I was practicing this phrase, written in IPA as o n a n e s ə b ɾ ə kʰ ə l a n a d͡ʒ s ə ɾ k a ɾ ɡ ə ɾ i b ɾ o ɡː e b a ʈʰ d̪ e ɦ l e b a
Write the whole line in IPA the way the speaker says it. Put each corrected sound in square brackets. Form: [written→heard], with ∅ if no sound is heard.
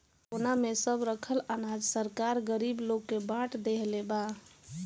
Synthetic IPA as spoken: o n a [n→m] e s ə b ɾ ə kʰ ə l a n a d͡ʒ s ə ɾ k a ɾ ɡ ə ɾ i b [ɾ→l] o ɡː e b a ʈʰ d̪ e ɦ l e b a